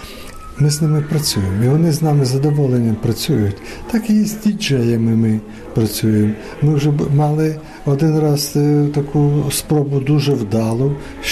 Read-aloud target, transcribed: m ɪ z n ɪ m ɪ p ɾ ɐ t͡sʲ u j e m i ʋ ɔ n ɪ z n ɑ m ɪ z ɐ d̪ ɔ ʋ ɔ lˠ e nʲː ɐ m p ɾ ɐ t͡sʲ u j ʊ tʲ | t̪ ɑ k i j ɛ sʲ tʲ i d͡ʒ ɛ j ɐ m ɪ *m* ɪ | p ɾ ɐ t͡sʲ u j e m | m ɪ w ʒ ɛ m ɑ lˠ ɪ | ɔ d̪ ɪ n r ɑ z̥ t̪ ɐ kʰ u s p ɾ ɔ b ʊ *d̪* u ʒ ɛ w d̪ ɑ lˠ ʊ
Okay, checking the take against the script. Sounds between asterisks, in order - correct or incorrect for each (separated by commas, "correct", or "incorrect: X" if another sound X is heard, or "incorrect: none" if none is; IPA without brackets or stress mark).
correct, correct